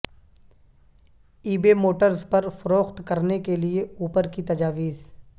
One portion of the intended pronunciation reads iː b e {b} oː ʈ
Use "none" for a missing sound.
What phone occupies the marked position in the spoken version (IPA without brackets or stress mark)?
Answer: m